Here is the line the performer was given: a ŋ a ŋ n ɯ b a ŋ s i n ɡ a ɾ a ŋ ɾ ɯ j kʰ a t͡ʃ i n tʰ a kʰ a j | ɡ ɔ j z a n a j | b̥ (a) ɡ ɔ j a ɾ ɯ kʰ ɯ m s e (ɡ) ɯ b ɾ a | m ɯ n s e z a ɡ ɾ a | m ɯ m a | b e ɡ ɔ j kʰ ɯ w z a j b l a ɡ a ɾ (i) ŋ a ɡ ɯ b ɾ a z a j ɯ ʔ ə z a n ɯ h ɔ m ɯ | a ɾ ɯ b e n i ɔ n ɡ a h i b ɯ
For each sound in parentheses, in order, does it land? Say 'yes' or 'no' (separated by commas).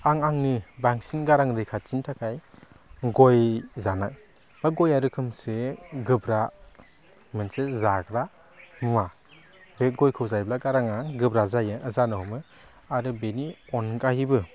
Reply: yes, yes, no